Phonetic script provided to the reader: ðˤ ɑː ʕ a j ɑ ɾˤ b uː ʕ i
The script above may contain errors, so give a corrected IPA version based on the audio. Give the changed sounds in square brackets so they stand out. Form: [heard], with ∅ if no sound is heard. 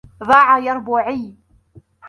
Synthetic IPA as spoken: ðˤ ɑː ʕ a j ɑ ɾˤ b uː ʕ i